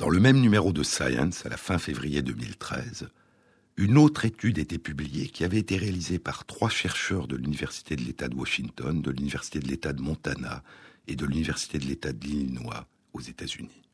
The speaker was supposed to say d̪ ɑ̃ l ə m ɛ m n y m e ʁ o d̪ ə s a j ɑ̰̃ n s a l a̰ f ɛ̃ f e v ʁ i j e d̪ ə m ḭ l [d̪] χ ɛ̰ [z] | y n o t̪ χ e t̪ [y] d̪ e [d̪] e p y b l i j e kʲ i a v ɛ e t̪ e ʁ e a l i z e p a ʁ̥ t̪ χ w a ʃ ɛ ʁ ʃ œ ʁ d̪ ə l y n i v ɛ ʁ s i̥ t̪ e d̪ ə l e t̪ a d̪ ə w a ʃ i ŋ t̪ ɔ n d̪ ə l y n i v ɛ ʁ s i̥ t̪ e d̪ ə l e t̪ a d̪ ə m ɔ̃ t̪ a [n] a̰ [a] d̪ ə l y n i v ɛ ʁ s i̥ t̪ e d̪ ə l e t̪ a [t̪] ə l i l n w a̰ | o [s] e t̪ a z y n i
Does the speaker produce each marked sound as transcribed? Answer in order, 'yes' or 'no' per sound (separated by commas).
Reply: no, yes, yes, no, yes, no, no, no